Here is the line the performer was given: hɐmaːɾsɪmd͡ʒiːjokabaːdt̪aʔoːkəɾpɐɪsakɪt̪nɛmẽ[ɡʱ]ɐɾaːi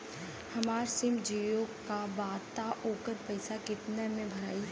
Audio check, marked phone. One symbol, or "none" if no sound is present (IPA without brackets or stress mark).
bʱ